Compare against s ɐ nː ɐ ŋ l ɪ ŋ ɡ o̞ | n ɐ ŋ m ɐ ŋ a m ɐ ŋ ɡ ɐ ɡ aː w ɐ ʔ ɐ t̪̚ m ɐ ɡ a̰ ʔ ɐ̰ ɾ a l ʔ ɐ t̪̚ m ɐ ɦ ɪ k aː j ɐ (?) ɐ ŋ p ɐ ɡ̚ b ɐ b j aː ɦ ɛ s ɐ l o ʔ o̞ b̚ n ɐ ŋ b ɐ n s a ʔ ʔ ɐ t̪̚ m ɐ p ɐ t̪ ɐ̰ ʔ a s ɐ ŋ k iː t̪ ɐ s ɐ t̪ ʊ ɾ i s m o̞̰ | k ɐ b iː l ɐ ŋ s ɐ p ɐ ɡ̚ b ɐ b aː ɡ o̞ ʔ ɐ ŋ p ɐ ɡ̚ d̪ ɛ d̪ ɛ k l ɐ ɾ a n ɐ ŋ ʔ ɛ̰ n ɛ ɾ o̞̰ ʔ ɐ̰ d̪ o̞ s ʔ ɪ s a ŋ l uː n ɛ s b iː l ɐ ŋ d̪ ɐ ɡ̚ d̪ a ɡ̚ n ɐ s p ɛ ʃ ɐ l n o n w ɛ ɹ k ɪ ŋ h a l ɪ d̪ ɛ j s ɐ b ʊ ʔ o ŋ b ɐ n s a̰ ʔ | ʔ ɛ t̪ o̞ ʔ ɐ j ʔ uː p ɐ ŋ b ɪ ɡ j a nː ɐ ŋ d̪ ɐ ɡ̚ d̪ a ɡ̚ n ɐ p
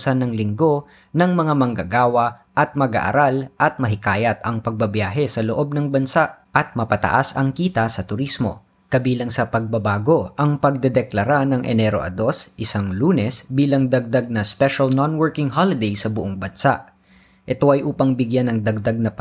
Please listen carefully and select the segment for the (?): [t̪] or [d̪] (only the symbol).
t̪